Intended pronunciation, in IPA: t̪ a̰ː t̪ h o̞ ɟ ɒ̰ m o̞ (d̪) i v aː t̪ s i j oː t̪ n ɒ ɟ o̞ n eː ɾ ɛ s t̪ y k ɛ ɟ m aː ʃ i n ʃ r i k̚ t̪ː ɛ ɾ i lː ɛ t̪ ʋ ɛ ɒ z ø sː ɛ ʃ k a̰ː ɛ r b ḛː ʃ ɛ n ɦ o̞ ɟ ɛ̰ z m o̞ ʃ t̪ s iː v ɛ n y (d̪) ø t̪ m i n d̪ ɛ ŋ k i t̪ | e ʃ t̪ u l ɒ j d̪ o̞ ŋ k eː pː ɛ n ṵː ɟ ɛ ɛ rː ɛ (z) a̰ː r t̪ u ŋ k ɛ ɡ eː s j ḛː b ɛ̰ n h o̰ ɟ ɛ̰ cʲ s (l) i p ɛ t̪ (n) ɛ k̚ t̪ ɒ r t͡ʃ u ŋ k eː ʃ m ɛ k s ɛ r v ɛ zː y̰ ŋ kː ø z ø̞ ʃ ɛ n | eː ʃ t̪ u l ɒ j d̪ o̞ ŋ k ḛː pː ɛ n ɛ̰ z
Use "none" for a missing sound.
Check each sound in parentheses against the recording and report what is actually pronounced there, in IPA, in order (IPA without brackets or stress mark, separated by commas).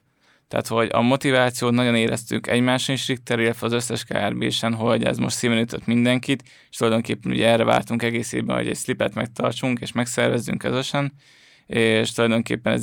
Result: t̪, t̪, v, l, m